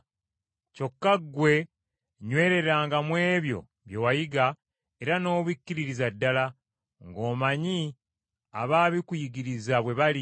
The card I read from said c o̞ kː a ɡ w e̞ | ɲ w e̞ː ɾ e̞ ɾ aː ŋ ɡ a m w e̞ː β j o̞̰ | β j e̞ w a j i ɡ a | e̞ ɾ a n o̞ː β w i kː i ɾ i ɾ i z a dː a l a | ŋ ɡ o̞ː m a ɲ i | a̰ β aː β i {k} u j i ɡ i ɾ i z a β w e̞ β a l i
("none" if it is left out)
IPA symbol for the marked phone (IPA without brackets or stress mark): k